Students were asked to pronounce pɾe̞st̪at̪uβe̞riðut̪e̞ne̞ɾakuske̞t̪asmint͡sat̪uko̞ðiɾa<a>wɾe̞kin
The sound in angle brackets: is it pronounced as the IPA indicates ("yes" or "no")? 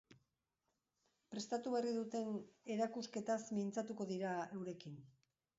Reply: no